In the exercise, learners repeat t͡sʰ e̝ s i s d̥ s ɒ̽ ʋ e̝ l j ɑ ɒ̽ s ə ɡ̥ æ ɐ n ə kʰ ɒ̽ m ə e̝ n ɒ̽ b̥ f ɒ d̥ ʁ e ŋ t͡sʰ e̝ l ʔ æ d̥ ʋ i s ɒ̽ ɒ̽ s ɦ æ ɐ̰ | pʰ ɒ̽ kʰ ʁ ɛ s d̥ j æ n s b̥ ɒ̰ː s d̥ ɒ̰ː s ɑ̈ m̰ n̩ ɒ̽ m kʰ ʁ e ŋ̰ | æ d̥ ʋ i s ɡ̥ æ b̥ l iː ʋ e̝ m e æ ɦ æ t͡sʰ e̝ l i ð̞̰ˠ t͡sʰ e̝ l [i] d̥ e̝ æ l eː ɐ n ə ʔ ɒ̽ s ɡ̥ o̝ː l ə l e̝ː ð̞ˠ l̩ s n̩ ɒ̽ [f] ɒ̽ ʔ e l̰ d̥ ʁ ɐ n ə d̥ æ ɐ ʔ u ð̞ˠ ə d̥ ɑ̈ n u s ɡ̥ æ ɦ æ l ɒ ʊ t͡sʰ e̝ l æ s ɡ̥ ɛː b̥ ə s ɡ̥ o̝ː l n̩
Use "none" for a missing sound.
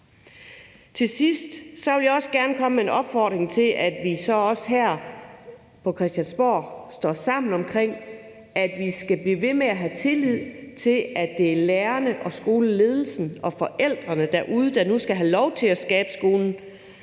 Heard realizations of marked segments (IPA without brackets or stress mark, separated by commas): æ, f